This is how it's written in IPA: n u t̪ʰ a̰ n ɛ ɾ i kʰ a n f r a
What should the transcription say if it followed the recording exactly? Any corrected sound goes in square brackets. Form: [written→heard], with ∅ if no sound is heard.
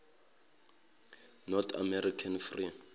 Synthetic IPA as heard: n [u→ɔ] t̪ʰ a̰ [n→m] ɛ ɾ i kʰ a n f r [a→i]